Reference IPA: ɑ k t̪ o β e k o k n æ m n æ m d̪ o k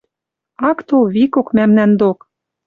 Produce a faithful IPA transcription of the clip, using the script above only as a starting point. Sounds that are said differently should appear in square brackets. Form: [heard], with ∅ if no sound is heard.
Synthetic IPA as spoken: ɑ k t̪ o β [i] k o k [m] æ m n æ [n] d̪ o k

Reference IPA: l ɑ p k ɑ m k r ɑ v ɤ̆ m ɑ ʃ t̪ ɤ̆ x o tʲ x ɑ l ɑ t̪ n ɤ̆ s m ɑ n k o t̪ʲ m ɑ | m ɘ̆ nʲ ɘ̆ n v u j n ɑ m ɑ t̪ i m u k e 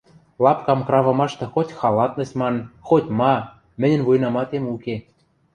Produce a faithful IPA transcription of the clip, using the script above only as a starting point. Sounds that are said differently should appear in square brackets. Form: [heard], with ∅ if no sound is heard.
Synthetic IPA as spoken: l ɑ p k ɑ m k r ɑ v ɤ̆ m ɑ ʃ t̪ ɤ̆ x o tʲ x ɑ l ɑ t̪ n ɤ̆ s m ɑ n [x] o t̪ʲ m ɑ | m ɘ̆ nʲ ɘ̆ n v u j n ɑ m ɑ t̪ [e] m u k e

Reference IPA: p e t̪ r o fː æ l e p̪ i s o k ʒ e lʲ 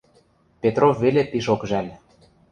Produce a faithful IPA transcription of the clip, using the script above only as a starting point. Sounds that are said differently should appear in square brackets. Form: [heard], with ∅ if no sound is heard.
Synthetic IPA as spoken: p e t̪ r o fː [e] l e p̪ i [ʃ] o k ʒ [æ] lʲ

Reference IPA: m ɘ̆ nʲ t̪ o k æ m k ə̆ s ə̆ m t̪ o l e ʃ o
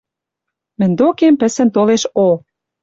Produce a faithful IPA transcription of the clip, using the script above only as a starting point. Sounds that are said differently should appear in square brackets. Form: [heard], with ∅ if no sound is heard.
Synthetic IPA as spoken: m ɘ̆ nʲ [d̪] o k [e] m [p] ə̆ s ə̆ [n] t̪ o l e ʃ o

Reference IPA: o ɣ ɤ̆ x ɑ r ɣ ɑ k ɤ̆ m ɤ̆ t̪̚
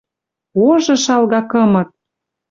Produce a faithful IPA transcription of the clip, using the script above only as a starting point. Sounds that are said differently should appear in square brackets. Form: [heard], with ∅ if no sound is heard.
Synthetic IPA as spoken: o [ʒ] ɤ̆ [ʃ] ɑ [l] ɣ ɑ k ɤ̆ m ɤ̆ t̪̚

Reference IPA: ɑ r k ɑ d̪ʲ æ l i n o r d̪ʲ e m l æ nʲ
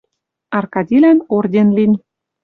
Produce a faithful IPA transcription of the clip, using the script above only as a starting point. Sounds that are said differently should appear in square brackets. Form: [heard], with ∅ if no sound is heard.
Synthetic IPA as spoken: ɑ r k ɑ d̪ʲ [i] l [æ] n o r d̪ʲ e [n] l [i] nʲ

